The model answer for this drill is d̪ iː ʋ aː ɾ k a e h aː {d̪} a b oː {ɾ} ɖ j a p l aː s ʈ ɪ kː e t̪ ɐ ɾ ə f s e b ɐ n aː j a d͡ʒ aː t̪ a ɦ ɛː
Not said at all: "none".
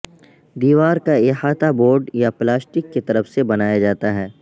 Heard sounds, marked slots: t̪, ɾ

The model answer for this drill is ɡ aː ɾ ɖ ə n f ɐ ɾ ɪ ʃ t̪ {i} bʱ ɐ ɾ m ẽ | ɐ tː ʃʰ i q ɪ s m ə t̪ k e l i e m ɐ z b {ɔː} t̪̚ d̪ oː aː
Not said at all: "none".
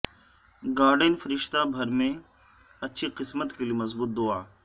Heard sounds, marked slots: a, uː

